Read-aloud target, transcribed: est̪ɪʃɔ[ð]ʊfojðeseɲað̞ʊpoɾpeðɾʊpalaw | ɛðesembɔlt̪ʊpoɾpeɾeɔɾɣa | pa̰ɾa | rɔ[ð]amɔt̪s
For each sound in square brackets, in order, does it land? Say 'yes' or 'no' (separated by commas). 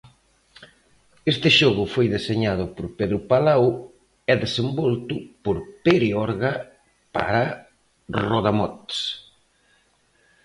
no, yes